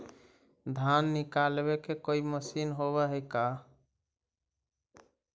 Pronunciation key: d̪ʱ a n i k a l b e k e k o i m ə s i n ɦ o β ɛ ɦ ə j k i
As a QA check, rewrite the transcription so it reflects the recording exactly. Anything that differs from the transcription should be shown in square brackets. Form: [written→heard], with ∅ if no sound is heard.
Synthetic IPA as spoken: d̪ʱ a [n→nː] i k a l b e k e k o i m ə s i n ɦ o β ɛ ɦ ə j k [i→a]